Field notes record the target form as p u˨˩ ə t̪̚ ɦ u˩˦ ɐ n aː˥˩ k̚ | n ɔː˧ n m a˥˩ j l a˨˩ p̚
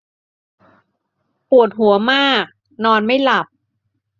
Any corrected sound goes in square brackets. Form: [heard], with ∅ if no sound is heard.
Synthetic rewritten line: p u˨˩ ə t̪̚ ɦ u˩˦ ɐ [m] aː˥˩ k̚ | n ɔː˧ n m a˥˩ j l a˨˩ p̚

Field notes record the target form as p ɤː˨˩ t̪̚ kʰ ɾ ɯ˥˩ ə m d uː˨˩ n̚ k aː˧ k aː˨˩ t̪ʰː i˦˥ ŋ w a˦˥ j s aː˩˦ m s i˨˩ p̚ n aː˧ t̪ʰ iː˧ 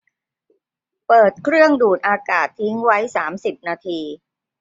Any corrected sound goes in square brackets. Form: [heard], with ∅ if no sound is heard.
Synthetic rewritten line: p ɤː˨˩ t̪̚ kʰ ɾ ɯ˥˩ ə [ŋ] d uː˨˩ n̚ [ʔ] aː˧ k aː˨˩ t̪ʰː i˦˥ ŋ w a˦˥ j s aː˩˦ m s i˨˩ p̚ n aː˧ t̪ʰ iː˧

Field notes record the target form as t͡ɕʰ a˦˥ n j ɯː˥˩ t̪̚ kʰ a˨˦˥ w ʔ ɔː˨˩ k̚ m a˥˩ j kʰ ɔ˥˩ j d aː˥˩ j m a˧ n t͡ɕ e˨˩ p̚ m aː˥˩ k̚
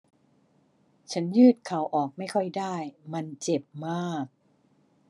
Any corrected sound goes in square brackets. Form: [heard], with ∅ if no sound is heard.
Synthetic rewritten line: t͡ɕʰ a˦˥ n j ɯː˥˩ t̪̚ kʰ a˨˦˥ w ʔ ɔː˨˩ k̚ m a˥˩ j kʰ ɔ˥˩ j d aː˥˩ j m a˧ n t͡ɕ e˨˩ p̚ m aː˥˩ k̚

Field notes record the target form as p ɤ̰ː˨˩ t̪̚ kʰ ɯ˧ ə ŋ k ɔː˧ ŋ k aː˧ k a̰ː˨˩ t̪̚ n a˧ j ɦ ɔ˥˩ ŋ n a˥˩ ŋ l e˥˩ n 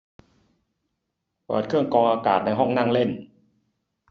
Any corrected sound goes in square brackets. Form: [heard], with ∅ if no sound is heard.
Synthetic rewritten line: p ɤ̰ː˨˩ t̪̚ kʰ [ɯ˥˩] ə ŋ k ɔː˧ ŋ [ʔ] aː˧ k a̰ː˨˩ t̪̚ n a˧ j ɦ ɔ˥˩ ŋ n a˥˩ ŋ l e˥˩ n

